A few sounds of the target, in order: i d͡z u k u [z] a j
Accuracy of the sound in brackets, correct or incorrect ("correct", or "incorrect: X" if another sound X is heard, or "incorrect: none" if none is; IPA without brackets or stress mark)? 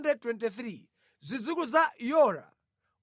correct